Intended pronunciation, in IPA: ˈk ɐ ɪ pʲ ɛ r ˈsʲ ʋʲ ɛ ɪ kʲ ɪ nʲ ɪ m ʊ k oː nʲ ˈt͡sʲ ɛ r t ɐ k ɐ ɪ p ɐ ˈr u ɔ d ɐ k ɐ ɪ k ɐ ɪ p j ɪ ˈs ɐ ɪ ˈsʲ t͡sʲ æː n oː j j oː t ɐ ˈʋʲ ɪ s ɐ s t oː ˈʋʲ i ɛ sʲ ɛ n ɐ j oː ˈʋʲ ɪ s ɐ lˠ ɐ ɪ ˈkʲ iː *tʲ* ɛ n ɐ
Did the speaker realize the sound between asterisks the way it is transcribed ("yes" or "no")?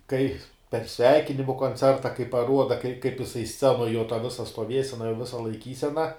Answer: no